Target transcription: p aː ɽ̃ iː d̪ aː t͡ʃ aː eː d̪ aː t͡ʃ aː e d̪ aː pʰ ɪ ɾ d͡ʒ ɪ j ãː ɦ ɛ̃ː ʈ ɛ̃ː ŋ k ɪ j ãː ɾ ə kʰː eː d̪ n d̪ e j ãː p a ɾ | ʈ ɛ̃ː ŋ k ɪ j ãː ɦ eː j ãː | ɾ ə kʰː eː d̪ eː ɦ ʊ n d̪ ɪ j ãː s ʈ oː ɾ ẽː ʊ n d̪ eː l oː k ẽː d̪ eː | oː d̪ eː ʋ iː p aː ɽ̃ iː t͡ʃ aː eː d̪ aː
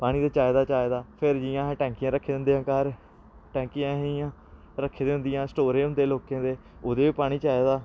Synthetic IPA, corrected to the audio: p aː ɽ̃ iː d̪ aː t͡ʃ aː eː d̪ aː t͡ʃ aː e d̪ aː pʰ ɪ ɾ d͡ʒ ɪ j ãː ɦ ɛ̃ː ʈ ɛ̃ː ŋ k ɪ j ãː ɾ ə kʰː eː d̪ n d̪ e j ãː k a ɾ | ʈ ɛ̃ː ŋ k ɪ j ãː ɦ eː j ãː | ɾ ə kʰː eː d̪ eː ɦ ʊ n d̪ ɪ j ãː s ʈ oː ɾ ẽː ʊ n d̪ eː l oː k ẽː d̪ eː | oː d̪ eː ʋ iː p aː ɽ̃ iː t͡ʃ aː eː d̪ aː

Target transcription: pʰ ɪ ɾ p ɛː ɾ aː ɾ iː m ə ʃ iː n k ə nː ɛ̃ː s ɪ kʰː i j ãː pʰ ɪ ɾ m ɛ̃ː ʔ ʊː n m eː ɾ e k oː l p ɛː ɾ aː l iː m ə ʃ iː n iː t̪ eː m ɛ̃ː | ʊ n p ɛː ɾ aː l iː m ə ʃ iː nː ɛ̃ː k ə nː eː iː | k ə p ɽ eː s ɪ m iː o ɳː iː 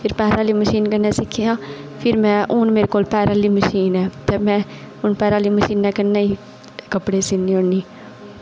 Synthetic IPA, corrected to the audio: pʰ ɪ ɾ p ɛː ɾ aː l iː m ə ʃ iː n k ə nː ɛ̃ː s ɪ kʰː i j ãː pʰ ɪ ɾ m ɛ̃ː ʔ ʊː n m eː ɾ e k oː l p ɛː ɾ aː l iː m ə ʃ iː n ɛː t̪ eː m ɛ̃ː | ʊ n p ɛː ɾ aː l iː m ə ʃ iː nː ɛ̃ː k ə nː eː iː | k ə p ɽ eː s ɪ n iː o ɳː iː

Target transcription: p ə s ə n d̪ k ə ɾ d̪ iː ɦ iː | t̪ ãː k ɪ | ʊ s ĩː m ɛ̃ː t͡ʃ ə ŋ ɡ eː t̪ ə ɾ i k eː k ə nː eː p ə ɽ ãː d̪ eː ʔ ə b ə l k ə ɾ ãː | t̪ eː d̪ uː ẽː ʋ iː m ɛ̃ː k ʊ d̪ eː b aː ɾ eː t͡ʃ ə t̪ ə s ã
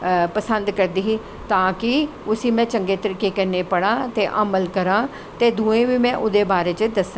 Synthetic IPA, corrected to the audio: p ə s ə n d̪ k ə ɾ d̪ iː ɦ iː | t̪ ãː k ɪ | ʊ s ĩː m ɛ̃ː t͡ʃ ə ŋ ɡ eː t̪ ə ɾ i k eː k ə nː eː p ə ɽ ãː t̪ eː ʔ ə m ə l k ə ɾ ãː | t̪ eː d̪ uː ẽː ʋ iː m ɛ̃ː ʔ ʊ d̪ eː b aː ɾ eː t͡ʃ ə d̪ ə s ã

